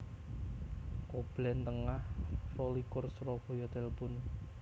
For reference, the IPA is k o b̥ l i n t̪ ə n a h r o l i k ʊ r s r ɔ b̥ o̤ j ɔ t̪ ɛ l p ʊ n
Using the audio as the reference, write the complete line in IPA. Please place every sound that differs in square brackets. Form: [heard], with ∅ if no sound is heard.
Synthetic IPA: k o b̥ l [ɛ] n t̪ ə [ŋ] a h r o l i k ʊ r s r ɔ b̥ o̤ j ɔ t̪ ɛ l p ʊ n